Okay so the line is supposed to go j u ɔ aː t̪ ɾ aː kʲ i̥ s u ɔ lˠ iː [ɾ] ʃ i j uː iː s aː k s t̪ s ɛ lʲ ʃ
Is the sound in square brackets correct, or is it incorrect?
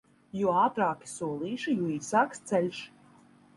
incorrect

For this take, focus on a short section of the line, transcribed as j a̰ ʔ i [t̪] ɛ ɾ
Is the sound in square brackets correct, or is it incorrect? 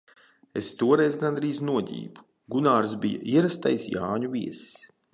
incorrect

